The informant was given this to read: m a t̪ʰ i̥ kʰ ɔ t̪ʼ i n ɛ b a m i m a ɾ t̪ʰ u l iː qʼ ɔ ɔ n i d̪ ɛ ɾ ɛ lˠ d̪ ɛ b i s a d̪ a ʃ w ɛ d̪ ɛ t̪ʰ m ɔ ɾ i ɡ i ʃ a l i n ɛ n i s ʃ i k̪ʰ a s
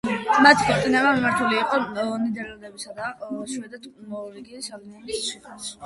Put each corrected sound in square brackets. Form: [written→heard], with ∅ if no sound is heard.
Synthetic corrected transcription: m a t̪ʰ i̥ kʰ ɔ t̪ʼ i n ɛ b a m i m a ɾ t̪ʰ u l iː qʼ ɔ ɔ n i d̪ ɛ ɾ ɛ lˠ d̪ ɛ b i s a d̪ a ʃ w ɛ d̪ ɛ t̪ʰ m ɔ ɾ i ɡ i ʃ a l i n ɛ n i s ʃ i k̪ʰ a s

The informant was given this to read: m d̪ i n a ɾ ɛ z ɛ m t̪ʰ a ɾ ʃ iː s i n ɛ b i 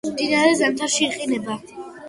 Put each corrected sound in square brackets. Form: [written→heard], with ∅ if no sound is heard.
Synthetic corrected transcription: m d̪ i n a ɾ ɛ z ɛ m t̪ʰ a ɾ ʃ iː [s→χ] i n ɛ b [i→a]

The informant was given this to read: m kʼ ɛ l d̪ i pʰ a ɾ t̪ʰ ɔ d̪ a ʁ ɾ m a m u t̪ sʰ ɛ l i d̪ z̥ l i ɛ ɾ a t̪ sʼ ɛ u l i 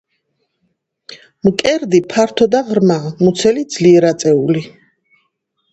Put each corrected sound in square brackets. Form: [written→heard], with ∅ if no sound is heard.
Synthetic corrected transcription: m kʼ ɛ [l→ɾ] d̪ i pʰ a ɾ t̪ʰ ɔ d̪ a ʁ ɾ m a m u t̪ sʰ ɛ l i d̪ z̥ l i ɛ ɾ a t̪ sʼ ɛ u l i

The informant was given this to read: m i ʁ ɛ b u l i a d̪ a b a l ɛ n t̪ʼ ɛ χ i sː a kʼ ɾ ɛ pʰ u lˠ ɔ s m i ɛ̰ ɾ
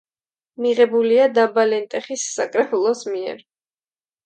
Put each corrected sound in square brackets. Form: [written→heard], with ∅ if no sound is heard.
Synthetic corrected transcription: m i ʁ ɛ b u l i a d̪ a b a l ɛ n t̪ʼ ɛ χ i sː a kʼ ɾ ɛ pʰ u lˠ ɔ s m i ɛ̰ ɾ

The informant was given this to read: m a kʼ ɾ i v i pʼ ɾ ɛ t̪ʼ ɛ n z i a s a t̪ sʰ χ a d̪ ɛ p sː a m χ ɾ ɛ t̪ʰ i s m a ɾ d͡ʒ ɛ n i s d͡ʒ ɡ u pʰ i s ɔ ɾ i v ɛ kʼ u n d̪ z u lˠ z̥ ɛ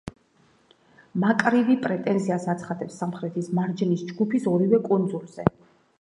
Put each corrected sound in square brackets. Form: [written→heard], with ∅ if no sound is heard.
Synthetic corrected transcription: m a kʼ ɾ i v i pʼ ɾ ɛ t̪ʼ ɛ n z i a s a t̪ sʰ χ a d̪ ɛ p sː a m χ ɾ ɛ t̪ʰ i s m a ɾ d͡ʒ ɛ n i s d͡ʒ ɡ u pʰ i s ɔ ɾ i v ɛ kʼ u n d̪ z u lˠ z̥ ɛ

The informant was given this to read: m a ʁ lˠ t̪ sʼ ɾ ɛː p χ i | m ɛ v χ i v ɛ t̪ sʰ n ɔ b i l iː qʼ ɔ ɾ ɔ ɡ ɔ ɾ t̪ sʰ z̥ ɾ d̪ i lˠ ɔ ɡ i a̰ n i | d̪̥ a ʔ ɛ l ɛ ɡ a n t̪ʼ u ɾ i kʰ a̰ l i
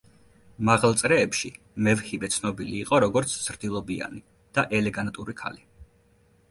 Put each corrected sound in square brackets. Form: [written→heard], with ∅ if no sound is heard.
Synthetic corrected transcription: m a ʁ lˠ t̪ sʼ ɾ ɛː p [χ→ʃ] i | m ɛ v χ i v ɛ t̪ sʰ n ɔ b i l iː qʼ ɔ ɾ ɔ ɡ ɔ ɾ t̪ sʰ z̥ ɾ d̪ i lˠ ɔ [ɡ→b] i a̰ n i | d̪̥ a ʔ ɛ l ɛ ɡ a n t̪ʼ u ɾ i kʰ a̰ l i

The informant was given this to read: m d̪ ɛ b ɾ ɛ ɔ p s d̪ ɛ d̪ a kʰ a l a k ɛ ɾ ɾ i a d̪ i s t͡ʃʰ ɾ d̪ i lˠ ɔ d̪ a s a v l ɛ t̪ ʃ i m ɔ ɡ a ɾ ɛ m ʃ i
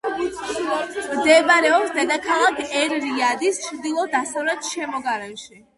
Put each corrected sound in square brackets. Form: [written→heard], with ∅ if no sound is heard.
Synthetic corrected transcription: m d̪ ɛ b ɾ ɛ ɔ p s d̪ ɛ d̪ a kʰ a l a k ɛ ɾ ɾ i a d̪ i s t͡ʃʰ ɾ d̪ i lˠ ɔ d̪ a s a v l ɛ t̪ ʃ [i→ɛ] m ɔ ɡ a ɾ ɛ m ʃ i

